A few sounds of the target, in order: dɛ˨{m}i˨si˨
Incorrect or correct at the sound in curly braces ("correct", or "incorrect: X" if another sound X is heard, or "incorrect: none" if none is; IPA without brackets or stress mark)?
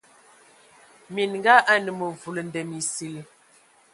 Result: correct